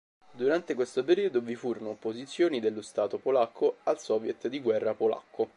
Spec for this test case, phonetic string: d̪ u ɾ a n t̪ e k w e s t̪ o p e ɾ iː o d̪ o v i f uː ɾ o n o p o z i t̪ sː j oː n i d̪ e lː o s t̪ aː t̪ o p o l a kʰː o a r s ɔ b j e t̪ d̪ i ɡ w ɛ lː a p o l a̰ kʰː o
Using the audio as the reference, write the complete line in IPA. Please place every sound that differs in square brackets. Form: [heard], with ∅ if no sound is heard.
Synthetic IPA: d̪ u ɾ a n t̪ e k w e s t̪ o p e ɾ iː o d̪ o v i f uː ɾ o n o p o z i t̪ sː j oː n i d̪ e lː o s t̪ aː t̪ o p o l a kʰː o a [l] s ɔ [v] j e t̪ d̪ i ɡ w ɛ [rː] a p o l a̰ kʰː o